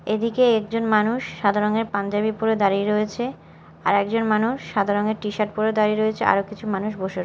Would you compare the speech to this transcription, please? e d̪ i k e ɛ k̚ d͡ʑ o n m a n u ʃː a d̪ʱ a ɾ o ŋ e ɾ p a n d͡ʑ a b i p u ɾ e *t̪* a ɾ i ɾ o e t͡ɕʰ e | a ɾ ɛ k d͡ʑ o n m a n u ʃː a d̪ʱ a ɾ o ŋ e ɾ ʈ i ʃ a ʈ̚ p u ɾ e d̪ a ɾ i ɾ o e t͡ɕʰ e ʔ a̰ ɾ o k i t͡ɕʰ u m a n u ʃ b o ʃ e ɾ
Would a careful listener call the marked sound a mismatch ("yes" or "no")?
yes